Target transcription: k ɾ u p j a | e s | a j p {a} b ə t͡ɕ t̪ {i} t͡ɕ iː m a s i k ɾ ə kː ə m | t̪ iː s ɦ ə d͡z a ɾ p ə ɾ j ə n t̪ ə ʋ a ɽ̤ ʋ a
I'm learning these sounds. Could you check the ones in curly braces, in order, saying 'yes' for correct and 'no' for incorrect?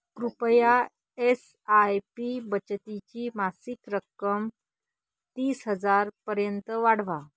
no, yes

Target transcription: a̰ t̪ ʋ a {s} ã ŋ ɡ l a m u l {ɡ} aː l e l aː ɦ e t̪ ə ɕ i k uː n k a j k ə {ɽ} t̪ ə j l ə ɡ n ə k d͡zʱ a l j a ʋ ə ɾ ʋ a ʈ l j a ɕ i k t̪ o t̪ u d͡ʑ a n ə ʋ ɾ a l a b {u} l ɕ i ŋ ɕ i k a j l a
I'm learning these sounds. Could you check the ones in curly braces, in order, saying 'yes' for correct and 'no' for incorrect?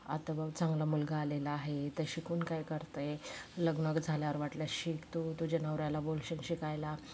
no, yes, no, no

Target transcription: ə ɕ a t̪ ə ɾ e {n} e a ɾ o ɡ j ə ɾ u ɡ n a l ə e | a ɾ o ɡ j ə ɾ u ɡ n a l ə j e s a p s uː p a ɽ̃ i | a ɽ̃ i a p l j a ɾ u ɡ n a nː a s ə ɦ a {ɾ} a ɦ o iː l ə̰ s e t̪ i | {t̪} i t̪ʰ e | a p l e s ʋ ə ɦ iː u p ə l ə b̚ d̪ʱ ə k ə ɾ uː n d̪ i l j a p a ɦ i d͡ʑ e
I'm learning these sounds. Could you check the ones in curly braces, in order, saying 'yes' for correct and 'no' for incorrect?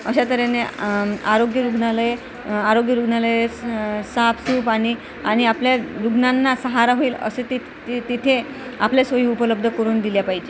yes, yes, yes

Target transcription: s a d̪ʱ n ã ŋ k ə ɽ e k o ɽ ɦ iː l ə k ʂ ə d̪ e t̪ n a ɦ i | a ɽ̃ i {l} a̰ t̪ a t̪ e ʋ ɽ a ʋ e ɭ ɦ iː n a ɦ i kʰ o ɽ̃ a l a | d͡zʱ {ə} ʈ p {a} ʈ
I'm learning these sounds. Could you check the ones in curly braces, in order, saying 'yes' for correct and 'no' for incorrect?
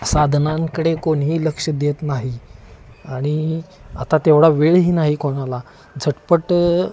no, yes, no

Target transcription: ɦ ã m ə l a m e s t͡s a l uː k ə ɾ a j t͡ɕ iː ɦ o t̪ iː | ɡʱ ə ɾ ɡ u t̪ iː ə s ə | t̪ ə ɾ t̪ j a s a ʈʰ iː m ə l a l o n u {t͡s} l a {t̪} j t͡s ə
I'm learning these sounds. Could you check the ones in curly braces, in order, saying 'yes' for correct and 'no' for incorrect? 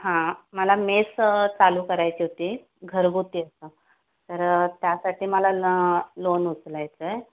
yes, no

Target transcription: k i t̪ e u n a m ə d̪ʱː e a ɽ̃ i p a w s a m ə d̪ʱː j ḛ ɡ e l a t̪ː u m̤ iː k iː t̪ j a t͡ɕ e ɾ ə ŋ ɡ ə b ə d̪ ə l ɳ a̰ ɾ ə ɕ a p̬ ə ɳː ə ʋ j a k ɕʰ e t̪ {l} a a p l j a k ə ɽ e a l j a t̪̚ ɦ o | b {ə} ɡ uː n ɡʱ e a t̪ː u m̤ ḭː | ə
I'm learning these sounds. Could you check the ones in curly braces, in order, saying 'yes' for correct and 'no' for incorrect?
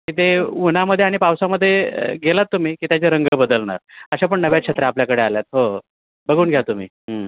no, yes

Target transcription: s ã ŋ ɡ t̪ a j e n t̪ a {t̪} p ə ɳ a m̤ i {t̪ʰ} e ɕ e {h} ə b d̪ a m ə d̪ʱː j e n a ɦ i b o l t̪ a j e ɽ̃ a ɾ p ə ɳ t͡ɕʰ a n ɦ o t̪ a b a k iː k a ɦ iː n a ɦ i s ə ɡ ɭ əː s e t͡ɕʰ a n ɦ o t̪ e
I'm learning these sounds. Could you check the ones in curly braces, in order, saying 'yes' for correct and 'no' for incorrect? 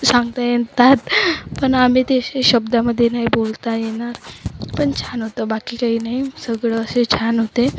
yes, no, no

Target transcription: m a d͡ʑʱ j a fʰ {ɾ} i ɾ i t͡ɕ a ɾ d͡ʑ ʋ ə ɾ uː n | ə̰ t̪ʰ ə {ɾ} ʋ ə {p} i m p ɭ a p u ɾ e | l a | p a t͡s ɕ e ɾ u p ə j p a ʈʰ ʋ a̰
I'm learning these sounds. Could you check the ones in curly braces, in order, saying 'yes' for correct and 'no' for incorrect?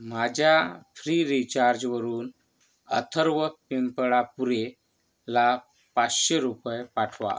yes, yes, yes

